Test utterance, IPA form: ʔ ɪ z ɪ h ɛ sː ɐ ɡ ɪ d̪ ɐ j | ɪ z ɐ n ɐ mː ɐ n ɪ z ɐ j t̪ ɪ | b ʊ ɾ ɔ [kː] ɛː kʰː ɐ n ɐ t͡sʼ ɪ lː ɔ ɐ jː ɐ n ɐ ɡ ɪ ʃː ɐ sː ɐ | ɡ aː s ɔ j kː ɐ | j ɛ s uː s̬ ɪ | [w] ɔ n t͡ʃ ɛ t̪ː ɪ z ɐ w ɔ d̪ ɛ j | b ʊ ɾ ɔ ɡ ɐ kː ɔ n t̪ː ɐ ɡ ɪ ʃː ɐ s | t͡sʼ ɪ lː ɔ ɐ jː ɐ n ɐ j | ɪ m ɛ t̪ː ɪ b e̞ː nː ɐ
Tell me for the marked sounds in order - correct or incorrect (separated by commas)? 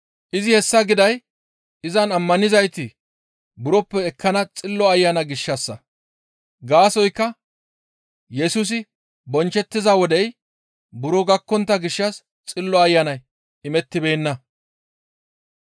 incorrect, incorrect